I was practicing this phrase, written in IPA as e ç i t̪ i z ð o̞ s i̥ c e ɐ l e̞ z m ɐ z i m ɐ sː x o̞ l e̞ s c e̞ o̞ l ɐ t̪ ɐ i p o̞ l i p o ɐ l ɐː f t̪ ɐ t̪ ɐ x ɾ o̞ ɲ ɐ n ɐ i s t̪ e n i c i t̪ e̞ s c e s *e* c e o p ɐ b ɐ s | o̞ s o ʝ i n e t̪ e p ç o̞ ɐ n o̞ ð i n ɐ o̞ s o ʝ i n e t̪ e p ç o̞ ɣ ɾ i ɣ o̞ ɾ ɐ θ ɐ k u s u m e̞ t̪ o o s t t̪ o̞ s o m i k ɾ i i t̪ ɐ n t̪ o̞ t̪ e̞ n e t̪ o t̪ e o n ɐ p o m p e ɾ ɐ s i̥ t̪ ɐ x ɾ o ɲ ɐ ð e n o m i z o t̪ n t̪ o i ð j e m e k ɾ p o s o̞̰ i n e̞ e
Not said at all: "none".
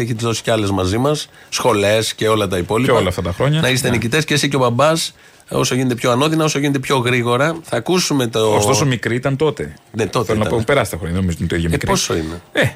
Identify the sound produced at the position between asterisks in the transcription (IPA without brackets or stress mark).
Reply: i